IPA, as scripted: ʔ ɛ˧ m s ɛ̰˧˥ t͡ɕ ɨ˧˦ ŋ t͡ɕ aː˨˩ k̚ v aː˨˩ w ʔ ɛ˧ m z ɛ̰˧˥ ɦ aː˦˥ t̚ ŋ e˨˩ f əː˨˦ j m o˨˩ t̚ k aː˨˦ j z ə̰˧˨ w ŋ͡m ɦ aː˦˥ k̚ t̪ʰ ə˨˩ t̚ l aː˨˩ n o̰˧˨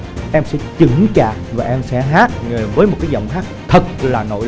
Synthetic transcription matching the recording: ʔ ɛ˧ m s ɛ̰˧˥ t͡ɕ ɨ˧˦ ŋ t͡ɕ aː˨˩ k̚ v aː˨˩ ʔ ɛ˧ m s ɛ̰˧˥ ɦ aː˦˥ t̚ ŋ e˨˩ v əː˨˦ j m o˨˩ t̚ k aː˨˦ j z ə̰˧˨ w ŋ͡m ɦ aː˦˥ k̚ t̪ʰ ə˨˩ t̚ l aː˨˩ n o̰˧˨

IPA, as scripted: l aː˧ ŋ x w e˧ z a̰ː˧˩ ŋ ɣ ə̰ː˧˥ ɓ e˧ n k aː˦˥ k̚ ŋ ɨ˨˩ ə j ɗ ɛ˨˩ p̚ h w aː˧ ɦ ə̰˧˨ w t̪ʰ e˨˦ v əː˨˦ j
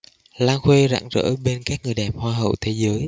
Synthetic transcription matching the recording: l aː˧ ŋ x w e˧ z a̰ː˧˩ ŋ z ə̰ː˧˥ ɓ e˧ n k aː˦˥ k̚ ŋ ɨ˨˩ ə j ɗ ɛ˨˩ p̚ h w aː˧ ɦ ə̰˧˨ w t̪ʰ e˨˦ z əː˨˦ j

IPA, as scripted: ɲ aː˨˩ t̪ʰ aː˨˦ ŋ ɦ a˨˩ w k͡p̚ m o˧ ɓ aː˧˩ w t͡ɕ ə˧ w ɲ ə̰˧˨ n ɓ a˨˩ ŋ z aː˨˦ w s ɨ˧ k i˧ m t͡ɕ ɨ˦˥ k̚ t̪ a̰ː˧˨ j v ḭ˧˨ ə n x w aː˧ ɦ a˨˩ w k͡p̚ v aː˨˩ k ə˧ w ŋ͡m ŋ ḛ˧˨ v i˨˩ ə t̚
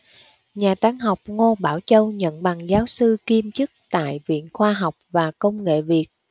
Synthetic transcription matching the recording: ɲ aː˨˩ t̪ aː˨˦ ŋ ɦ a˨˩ w k͡p̚ ŋ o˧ ɓ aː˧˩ w t͡ɕ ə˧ w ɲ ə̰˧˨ n ɓ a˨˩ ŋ z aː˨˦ w s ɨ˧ k i˧ m t͡ɕ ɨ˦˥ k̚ t̪ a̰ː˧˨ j v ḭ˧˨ ə n x w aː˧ ɦ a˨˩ w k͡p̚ v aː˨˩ k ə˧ w ŋ͡m ŋ ḛ˧˨ v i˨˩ ə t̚

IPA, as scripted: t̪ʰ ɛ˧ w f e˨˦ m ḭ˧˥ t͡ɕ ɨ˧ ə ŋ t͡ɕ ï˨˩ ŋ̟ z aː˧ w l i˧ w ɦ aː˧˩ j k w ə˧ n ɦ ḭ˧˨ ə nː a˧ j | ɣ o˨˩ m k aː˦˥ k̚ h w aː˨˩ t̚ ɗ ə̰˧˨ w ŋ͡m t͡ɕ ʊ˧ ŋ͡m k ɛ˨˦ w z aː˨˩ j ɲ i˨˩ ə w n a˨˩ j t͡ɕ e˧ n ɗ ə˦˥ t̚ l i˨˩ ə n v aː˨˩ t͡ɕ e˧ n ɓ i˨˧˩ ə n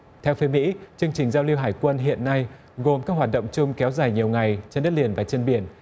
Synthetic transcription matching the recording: t̪ʰ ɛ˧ w f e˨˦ m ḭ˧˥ t͡ɕ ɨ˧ ə ŋ t͡ɕ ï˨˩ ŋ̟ z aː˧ w l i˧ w ɦ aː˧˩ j k w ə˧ n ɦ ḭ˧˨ ə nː a˧ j | ɣ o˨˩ m k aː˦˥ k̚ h w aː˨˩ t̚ ɗ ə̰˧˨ w ŋ͡m t͡ɕ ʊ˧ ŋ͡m k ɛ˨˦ w z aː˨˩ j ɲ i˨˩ ə w ŋ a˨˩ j t͡ɕ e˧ n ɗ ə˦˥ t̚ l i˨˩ ə n v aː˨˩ t͡ɕ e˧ n ɓ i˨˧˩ ə n

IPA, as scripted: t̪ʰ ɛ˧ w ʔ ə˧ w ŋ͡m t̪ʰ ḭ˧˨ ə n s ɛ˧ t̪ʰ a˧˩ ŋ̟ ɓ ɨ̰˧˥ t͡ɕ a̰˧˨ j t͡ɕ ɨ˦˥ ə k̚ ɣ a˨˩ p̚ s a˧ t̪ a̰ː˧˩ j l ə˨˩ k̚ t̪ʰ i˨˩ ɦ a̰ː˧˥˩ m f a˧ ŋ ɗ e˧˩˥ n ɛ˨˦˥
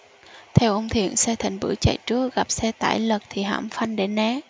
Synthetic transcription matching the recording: t̪ʰ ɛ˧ w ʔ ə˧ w ŋ͡m t̪ʰ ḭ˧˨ ə n s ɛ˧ t̪ʰ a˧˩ ŋ̟ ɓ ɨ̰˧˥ t͡ɕ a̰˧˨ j t͡ɕ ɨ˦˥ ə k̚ ɣ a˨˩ p̚ s ɛ˧ t̪ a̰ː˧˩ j l ə˨˩ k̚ t̪ʰ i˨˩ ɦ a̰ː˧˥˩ m f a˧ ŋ ɗ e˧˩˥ n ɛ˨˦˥

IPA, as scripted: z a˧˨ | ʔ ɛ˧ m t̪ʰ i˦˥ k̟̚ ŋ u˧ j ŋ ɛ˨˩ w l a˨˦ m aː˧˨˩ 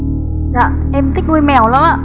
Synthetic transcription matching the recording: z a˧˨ | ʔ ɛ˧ m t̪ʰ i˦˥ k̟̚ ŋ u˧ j m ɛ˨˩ w l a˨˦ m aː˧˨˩

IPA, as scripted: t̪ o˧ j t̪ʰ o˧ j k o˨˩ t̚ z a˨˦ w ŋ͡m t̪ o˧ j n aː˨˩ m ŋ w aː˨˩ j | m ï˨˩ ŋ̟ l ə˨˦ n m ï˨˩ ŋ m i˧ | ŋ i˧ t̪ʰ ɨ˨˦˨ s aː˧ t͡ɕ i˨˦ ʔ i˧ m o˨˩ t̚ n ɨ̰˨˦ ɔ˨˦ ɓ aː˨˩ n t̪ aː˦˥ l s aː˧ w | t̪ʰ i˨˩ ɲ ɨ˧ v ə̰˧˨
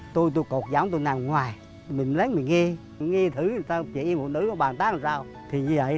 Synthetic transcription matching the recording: t̪ o˧ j t̪ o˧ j k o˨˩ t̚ z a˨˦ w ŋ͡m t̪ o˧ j n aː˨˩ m ŋ w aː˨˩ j | m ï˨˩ ŋ̟ l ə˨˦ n m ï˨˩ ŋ ŋ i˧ | ŋ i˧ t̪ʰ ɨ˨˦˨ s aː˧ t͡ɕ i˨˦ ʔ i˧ m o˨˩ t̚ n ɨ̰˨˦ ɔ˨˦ ɓ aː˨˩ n t̪ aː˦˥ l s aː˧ w | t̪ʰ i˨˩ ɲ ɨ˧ v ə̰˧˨

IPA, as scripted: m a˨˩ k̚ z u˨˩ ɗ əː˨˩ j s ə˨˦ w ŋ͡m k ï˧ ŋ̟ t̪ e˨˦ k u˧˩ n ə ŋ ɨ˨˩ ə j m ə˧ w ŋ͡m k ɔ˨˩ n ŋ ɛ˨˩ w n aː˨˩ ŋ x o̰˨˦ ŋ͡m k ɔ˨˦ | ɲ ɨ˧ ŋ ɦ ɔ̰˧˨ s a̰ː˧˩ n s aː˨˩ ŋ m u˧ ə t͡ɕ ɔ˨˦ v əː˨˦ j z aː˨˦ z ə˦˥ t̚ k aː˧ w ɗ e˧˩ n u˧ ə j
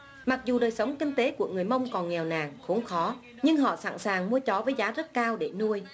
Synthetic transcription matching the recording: m a˨˩ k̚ z u˨˩ ɗ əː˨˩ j s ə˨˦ w ŋ͡m k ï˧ ŋ̟ t̪ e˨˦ k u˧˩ ə ŋ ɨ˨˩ ə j m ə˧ w ŋ͡m k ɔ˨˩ n ŋ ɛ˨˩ w n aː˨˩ ŋ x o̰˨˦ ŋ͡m x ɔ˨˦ | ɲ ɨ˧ ŋ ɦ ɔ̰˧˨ s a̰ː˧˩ n s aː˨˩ ŋ m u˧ ə t͡ɕ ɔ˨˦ v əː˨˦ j z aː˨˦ z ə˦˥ t̚ k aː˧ w ɗ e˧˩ n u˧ ə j

